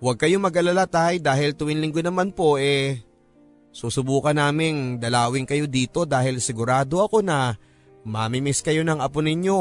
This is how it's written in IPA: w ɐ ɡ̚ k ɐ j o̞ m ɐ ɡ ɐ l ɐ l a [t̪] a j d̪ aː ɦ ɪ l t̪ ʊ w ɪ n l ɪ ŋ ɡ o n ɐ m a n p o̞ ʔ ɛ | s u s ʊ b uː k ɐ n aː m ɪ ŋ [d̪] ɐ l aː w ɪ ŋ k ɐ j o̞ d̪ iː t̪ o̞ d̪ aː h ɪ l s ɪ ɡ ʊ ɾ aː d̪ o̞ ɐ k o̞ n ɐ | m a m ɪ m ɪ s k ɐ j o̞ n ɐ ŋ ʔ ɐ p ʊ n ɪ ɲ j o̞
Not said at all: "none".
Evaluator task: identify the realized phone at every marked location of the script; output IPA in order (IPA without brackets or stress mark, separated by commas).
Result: t̪, d̪